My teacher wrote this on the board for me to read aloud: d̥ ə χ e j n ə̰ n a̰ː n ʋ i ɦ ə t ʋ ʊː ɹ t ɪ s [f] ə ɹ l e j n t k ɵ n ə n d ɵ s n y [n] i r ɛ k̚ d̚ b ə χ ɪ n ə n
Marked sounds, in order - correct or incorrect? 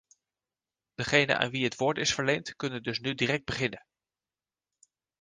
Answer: correct, incorrect

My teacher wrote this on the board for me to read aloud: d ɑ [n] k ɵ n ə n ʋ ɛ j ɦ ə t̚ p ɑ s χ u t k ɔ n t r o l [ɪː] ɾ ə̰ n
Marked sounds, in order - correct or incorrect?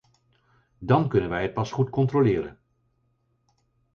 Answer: correct, correct

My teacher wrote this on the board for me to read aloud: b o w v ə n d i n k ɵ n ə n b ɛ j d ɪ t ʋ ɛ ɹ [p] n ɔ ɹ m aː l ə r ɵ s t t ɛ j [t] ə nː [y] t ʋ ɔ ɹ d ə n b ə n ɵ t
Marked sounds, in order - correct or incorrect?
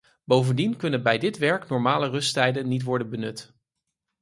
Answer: incorrect, incorrect, incorrect

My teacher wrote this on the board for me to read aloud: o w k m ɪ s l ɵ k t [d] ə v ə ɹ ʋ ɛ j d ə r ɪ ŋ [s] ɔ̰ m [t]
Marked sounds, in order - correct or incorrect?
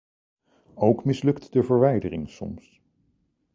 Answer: correct, correct, incorrect

